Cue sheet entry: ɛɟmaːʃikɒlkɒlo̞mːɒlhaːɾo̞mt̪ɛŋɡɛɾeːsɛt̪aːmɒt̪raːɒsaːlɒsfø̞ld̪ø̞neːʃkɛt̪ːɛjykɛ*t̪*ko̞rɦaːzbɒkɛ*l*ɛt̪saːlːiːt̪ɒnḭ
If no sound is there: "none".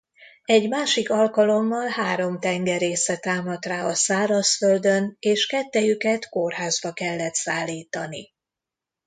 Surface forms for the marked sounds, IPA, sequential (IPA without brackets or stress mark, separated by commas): t̪, lː